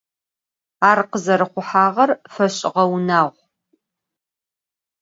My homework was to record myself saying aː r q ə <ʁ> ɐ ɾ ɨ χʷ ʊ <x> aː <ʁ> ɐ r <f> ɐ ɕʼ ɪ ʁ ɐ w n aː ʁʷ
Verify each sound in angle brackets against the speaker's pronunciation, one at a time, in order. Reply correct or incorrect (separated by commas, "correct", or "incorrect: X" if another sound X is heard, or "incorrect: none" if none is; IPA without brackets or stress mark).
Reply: incorrect: z, incorrect: ħ, correct, correct